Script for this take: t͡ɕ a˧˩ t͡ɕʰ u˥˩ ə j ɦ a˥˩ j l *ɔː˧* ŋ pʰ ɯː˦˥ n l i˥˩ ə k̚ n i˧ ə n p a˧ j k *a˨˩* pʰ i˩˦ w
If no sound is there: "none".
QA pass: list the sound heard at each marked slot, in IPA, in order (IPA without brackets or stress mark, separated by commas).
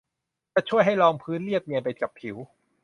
ɔː˧, a˨˩